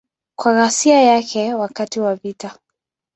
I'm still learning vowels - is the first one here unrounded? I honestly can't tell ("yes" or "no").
yes